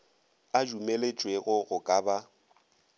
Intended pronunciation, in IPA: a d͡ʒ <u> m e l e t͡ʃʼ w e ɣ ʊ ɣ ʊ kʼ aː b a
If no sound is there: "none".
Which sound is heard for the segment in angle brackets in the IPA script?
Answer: u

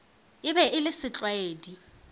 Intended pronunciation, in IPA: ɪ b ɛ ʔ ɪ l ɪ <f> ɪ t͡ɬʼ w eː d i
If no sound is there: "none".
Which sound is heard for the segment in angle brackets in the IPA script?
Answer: s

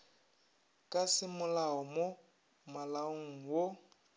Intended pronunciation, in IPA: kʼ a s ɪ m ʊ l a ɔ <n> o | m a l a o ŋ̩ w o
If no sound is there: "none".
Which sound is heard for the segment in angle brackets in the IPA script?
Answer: m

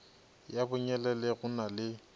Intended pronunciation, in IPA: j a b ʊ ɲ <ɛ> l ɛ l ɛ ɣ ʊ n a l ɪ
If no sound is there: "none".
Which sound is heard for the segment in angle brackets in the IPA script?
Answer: ɛ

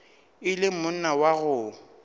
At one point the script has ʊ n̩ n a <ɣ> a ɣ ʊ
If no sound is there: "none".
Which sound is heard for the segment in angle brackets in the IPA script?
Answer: w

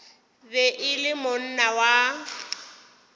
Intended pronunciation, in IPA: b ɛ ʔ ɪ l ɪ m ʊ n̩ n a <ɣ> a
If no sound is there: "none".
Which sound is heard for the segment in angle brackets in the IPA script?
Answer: w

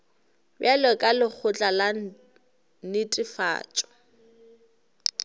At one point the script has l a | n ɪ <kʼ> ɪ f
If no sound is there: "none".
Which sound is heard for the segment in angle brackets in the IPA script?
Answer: tʼ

